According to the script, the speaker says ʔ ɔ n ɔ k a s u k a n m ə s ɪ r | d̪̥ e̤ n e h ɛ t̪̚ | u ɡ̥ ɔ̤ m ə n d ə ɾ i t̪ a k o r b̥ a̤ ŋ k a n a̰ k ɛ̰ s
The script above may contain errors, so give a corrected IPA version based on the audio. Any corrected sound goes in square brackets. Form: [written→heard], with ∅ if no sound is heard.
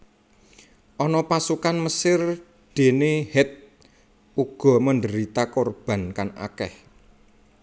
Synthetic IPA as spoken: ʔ ɔ n ɔ [k→p] a s u k a n m ə s ɪ r | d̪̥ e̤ n e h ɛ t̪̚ | u ɡ̥ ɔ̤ m ə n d ə ɾ i t̪ a k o r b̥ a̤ [ŋ→n] k a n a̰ k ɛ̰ [s→h]